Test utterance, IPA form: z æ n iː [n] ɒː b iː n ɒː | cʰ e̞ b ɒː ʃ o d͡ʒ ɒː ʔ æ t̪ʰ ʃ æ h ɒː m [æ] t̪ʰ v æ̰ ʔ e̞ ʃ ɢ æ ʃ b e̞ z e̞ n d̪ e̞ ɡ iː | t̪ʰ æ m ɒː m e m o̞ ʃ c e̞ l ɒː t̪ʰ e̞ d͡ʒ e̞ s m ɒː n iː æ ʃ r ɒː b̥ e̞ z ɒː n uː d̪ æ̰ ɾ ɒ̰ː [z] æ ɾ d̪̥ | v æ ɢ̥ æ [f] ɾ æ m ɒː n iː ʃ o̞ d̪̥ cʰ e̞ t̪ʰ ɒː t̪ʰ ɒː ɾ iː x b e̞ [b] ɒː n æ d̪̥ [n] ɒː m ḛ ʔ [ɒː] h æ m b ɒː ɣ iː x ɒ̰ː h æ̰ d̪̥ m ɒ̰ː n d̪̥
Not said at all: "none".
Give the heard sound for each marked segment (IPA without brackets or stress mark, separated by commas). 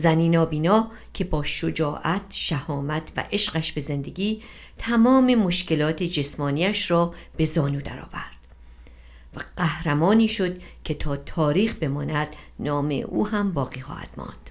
n, æ, v, h, m, n, uː